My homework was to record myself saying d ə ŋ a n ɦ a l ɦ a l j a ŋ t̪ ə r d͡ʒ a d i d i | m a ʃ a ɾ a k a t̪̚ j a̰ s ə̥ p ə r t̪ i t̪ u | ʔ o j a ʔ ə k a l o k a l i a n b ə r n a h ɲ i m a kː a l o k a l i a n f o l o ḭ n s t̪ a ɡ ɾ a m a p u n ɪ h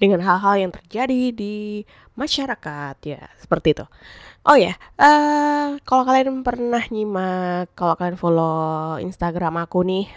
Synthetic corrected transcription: d ə ŋ a n ɦ a l ɦ a l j a ŋ t̪ ə r d͡ʒ a d i d i | m a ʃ a ɾ a k a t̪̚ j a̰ s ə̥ p ə r t̪ i t̪ u | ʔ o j a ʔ ə k a l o k a l i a n p ə r n a h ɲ i m a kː a l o k a l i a n f o l o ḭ n s t̪ a ɡ ɾ a m a k u n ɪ h